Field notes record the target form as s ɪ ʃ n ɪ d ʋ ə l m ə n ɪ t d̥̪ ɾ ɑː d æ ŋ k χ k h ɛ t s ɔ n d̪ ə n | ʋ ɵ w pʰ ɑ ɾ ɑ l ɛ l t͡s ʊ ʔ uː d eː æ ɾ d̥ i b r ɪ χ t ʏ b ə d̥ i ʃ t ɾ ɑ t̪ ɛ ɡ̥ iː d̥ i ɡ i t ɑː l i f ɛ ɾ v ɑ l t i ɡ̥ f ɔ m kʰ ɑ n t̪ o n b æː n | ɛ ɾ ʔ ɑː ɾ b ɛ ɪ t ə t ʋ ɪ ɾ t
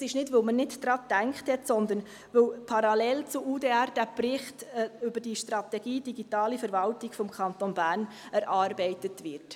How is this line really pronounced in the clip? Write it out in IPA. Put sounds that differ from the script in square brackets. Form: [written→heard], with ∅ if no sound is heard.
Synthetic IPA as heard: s ɪ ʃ n ɪ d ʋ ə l m ə n ɪ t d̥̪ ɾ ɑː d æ ŋ k χ [k→t] h ɛ t s ɔ n d̪ ə n | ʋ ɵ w pʰ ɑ ɾ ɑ l ɛ l t͡s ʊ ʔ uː d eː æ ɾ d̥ [i→æ] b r ɪ χ t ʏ b ə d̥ i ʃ t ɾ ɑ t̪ ɛ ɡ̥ iː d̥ i ɡ i t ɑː l i f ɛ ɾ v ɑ l t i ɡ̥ f ɔ m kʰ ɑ n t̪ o n b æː n | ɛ ɾ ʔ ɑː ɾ b ɛ ɪ t ə t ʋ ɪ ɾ t